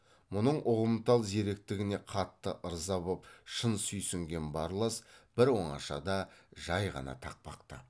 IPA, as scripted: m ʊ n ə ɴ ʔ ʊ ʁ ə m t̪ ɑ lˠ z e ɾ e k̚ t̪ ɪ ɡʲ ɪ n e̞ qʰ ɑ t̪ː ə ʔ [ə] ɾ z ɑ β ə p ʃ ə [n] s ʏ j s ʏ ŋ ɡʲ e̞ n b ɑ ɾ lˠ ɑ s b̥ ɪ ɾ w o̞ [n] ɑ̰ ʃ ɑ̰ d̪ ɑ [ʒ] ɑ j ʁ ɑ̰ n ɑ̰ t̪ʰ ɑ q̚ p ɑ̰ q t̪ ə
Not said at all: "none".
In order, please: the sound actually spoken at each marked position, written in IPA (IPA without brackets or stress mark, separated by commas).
ə, n, ɴ, ʒ